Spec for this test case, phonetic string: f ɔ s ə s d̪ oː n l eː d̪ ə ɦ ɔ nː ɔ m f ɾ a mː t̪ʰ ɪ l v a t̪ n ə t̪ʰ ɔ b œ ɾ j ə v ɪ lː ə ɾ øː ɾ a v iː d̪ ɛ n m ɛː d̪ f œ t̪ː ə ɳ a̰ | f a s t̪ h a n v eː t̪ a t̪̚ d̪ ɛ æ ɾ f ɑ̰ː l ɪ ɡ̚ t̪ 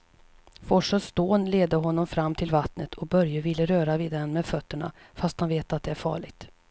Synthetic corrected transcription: f ɔ ʂ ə s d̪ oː n l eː d̪ ə ɦ ɔ nː ɔ m f ɾ a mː t̪ʰ ɪ l v a t̪ n ə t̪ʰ ɔ b œ ɾ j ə v ɪ lː ə ɾ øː ɾ a v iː d̪ ɛ n m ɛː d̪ f œ t̪ː ə ɳ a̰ | f a s t̪ h a n v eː t̪ a t̪̚ d̪ ɛ æ ɾ f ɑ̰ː ɭ ɪ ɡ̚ t̪